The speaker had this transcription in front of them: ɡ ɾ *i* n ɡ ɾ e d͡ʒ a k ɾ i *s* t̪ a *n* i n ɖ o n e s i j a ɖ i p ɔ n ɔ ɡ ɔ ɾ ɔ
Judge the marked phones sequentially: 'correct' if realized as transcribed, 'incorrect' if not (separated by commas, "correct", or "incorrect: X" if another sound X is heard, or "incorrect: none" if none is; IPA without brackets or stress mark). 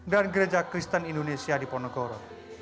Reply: incorrect: a, correct, correct